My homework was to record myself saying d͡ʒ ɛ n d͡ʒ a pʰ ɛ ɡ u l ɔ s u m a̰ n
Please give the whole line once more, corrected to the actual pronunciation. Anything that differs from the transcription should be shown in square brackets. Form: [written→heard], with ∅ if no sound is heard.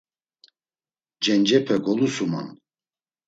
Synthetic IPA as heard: d͡ʒ ɛ n d͡ʒ [a→ɛ] pʰ ɛ ɡ [u→ɔ] l [ɔ→u] s u m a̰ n